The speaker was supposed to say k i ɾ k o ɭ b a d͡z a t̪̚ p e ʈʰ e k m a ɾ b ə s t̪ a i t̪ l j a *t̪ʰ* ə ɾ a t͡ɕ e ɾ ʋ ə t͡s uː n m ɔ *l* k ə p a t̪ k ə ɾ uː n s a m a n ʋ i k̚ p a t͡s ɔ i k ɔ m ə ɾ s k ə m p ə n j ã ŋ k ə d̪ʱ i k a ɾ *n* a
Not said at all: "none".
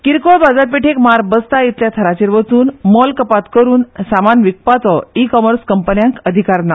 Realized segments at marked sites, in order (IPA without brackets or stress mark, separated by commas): t̪ʰ, l, n